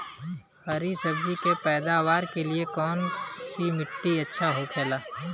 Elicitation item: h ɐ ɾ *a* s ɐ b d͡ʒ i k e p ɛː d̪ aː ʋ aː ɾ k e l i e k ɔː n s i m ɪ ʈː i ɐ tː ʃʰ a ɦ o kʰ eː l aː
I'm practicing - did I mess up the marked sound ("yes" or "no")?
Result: yes